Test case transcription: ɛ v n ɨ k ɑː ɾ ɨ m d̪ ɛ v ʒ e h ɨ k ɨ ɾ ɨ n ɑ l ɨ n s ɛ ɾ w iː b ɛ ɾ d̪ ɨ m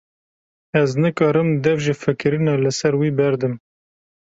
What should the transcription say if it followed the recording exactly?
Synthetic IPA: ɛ z n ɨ k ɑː ɾ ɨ m d̪ ɛ v ʒ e f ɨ k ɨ ɾ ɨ n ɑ l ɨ s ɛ ɾ w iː b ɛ ɾ d̪ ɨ m